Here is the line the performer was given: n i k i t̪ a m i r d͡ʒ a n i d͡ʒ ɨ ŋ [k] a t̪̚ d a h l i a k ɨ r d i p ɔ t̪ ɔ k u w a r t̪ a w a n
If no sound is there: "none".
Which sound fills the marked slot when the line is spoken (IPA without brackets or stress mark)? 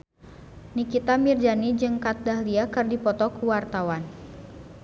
k